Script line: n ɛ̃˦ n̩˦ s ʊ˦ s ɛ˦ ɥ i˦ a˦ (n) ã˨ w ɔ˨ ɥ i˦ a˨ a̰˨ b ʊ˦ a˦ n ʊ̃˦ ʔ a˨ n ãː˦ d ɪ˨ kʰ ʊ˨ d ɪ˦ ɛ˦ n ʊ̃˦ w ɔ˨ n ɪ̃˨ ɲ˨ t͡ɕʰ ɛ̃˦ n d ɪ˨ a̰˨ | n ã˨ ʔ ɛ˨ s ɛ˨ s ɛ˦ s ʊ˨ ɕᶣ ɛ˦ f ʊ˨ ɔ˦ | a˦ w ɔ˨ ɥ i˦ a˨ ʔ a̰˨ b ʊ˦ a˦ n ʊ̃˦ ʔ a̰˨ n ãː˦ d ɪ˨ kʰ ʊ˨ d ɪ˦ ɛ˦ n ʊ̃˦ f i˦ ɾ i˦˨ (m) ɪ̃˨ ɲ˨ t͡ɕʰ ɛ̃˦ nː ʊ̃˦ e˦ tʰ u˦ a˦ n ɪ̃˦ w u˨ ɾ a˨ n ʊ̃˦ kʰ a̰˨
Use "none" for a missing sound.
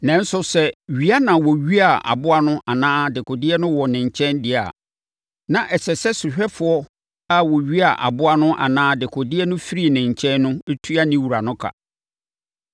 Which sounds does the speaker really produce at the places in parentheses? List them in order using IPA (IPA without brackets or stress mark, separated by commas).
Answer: n, n